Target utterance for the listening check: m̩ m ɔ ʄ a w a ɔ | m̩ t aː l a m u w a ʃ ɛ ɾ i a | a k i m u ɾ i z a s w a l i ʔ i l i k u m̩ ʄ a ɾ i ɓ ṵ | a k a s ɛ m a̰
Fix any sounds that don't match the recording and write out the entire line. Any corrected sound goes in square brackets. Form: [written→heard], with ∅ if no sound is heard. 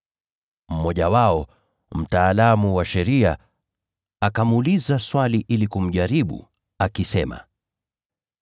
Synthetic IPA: m̩ m ɔ ʄ a w a ɔ | m̩ t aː l a m u w a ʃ ɛ ɾ i a | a k [i→a] m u [ɾ→l] i z a s w a l i ʔ i l i k u m̩ ʄ a ɾ i ɓ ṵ | a k [a→i] s ɛ m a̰